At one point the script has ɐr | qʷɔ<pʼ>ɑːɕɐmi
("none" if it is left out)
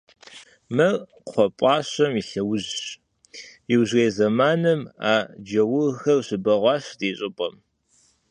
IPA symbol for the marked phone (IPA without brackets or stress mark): pʼ